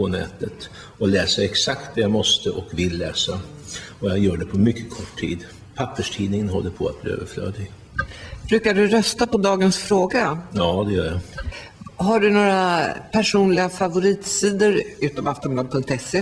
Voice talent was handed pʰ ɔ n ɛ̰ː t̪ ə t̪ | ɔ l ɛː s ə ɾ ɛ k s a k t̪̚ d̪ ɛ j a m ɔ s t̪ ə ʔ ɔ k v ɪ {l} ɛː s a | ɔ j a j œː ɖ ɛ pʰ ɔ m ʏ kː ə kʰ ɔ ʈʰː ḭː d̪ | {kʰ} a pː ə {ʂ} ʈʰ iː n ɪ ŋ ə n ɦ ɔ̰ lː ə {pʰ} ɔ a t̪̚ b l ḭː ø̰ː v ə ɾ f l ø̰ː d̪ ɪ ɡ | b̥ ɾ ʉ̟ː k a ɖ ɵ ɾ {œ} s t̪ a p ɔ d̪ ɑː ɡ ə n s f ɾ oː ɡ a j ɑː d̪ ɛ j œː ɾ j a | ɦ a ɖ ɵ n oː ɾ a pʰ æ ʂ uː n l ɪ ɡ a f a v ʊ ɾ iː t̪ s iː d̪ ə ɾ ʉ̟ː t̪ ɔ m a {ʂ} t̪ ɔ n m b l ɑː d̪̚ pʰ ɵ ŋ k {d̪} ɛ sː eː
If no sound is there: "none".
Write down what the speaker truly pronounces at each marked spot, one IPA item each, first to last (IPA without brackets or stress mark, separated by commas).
lː, pʰ, ʂ, pʰ, œ, f, t̪